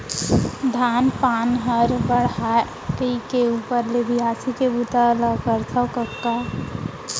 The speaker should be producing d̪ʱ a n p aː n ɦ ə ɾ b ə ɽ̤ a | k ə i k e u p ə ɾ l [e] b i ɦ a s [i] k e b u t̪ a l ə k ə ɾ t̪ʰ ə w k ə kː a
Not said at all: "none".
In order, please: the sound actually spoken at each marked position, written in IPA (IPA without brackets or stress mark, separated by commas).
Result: e, i